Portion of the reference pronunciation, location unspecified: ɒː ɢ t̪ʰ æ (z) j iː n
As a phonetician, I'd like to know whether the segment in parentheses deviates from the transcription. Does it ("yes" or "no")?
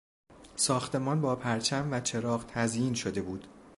no